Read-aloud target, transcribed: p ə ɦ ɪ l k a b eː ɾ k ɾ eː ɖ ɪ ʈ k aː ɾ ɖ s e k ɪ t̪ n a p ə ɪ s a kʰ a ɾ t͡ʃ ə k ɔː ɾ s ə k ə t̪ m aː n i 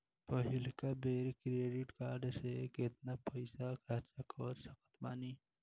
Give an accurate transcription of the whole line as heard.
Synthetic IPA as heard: p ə ɦ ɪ l k a b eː ɾ k ɾ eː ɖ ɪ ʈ k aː ɾ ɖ s e k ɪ t̪ n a p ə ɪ s a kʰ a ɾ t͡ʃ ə k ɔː ɾ s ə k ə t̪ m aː n i

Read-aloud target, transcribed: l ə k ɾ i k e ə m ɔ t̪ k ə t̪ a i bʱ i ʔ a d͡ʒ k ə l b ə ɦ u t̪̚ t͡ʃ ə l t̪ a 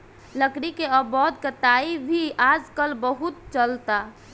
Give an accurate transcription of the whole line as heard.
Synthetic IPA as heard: l ə k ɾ i k e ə b ɔ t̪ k ə t̪ a i bʱ i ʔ a d͡ʒ k ə l b ə ɦ u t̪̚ t͡ʃ ə l t̪ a

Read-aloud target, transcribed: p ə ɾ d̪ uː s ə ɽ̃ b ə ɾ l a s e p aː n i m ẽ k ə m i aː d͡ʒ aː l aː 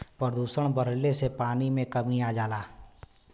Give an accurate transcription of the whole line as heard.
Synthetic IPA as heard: p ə ɾ d̪ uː s ə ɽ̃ b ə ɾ l e s e p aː n i m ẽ k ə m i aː d͡ʒ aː l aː

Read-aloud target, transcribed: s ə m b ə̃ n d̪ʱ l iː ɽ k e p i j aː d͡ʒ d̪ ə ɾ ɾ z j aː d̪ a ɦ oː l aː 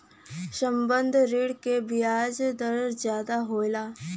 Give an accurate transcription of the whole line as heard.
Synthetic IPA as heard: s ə m b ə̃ n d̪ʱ ɾ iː ɽ k e b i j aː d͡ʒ d̪ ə ɾ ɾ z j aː d̪ a ɦ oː l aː

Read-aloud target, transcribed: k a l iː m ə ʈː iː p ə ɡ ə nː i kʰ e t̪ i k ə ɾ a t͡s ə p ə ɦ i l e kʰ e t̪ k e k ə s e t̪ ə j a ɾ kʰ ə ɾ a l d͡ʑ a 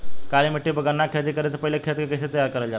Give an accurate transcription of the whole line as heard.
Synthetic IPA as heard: k a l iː m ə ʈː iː b ə ɡ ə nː a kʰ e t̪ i k ə ɾ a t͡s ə p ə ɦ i l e kʰ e t̪ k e k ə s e t̪ ə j a ɾ k ə ɾ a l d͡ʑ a

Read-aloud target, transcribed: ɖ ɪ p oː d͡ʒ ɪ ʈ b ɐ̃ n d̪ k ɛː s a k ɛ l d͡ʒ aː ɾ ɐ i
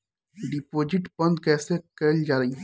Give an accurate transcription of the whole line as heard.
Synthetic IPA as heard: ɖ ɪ p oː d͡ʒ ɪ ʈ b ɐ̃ n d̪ k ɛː s e k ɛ l d͡ʒ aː ɾ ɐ i

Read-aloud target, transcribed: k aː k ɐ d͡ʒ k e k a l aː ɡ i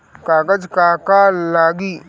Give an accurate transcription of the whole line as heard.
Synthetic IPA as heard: k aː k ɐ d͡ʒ k a k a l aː ɡ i

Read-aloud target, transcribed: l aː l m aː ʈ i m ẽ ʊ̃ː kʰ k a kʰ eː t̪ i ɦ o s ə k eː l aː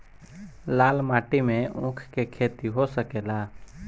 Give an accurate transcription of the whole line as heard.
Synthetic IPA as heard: l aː l m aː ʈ i m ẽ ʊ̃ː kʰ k e kʰ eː t̪ i ɦ o s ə k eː l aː

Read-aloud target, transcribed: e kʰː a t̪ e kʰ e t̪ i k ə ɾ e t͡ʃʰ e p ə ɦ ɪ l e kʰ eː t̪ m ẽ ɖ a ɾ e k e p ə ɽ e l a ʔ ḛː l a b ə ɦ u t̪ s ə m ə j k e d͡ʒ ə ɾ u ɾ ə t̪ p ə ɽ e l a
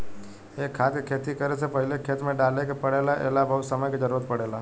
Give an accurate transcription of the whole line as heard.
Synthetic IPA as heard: e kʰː a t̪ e kʰ e t̪ i k ə ɾ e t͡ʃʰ e p ə ɦ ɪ l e kʰ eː t̪ m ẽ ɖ a l e k e p ə ɽ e l a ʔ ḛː l a b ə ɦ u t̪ s ə m ə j k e d͡ʒ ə ɾ u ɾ ə t̪ p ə ɽ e l a

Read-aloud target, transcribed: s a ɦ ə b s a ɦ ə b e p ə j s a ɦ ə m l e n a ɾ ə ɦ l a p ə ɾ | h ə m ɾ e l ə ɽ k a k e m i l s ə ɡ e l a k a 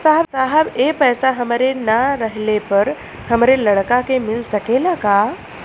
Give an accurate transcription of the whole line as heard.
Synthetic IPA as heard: s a ɦ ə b s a ɦ ə b e p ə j s a ɦ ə m ɾ e n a ɾ ə ɦ l e p ə ɾ | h ə m ɾ e l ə ɽ k a k e m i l s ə k e l a k a

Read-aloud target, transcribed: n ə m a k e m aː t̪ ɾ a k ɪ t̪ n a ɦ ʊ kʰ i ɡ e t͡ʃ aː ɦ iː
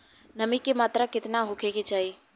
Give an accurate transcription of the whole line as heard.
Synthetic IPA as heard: n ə m i k e m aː t̪ ɾ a k ɪ t̪ n a ɦ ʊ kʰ e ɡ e t͡ʃ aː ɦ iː

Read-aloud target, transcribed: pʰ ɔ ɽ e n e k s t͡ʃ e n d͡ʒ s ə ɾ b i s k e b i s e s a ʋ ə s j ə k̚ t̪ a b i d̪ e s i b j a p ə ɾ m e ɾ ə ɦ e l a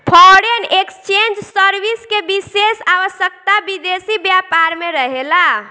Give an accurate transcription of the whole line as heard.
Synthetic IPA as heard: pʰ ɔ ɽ e n e k s t͡ʃ e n d͡ʒ s ə ɾ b i s k e b i s e s a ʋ ə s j ə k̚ t̪ a b i d̪ e s i b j a p a ɾ m e ɾ ə ɦ e l a

